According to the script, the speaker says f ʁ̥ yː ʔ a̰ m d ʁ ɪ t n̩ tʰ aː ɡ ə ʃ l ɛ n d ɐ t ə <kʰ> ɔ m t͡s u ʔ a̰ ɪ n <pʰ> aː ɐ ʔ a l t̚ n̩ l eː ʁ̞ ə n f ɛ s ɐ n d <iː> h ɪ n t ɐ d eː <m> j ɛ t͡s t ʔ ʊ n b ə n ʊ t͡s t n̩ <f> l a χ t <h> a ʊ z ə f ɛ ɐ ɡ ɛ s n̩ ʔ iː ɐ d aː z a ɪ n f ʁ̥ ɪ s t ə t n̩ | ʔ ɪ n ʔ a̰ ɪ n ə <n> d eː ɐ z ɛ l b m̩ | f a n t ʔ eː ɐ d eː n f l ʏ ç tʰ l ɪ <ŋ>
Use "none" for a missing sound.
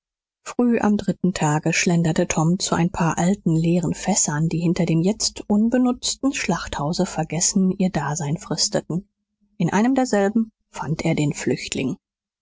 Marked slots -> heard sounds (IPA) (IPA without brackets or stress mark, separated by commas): tʰ, pʰ, iː, m, ʃ, h, m, ŋ